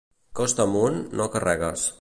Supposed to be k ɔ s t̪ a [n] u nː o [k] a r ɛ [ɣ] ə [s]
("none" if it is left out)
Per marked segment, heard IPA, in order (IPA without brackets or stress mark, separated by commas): m, k, ɣ, s